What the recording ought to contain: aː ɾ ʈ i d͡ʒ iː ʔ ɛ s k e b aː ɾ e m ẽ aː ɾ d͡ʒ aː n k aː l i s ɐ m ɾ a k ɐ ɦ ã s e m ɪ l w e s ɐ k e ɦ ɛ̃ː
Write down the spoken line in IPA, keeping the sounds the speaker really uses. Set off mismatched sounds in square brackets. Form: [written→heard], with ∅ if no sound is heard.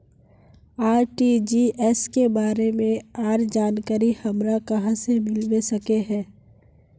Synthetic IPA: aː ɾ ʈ i d͡ʒ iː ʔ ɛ s k e b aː ɾ e m ẽ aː ɾ d͡ʒ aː n k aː [l→ɾ] i [s→h] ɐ m ɾ a k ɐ ɦ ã s e m ɪ l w e s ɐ k e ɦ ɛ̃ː